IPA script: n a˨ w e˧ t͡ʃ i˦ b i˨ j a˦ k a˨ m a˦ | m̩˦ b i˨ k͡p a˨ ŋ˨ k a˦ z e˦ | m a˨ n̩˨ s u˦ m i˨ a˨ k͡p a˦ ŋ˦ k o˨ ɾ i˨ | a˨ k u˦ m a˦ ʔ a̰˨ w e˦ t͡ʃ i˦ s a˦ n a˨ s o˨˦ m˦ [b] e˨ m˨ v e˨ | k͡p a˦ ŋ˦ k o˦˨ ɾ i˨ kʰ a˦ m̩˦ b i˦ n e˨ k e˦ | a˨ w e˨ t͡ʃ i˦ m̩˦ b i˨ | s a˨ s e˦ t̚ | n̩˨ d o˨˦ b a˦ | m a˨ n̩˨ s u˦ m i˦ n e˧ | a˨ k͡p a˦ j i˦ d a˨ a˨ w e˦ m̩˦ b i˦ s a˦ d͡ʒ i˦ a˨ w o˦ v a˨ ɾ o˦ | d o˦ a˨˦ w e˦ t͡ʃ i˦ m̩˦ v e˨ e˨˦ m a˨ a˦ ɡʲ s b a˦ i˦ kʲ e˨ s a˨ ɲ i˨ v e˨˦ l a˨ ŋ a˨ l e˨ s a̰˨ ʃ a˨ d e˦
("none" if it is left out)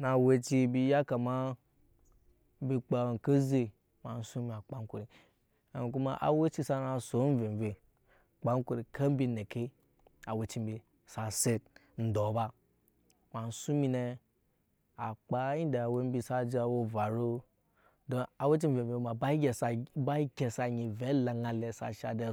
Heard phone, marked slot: v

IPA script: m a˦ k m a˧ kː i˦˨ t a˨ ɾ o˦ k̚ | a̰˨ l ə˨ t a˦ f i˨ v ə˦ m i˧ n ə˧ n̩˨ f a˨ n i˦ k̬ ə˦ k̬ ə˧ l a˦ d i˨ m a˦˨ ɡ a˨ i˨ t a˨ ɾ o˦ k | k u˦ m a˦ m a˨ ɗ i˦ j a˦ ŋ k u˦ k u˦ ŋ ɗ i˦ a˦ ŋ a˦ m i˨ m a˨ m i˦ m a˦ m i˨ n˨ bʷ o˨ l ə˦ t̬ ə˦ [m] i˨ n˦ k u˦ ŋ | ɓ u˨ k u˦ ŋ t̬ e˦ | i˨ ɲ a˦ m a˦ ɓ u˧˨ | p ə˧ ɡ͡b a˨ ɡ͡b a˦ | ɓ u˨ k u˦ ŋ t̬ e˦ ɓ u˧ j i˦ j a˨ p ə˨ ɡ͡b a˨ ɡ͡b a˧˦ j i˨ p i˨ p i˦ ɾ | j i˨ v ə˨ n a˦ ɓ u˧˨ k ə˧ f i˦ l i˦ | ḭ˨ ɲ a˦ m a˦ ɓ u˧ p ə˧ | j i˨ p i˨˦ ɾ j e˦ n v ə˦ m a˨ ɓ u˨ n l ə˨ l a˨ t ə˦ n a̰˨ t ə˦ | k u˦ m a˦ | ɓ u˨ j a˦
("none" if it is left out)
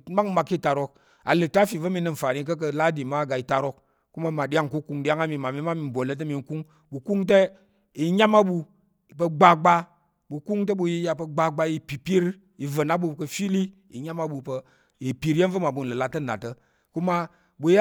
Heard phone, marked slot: m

